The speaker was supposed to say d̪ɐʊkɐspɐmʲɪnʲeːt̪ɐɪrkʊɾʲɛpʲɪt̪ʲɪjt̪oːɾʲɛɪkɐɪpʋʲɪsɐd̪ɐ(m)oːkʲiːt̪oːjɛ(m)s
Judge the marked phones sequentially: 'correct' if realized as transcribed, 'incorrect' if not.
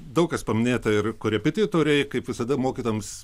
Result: correct, correct

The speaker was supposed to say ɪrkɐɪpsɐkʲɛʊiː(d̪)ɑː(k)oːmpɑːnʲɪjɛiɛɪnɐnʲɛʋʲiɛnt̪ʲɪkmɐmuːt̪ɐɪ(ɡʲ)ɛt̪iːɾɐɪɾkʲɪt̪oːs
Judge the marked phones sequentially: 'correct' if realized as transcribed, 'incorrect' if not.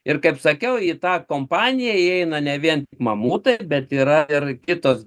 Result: incorrect, correct, incorrect

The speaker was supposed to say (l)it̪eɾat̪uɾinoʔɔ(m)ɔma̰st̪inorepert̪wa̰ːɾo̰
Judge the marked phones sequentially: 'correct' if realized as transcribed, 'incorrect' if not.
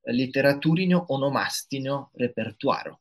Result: correct, incorrect

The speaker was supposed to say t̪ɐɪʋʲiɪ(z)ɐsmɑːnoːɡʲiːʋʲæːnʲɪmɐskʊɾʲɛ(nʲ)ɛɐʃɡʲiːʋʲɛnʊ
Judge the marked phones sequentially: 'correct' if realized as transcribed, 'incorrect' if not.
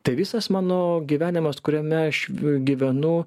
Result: incorrect, incorrect

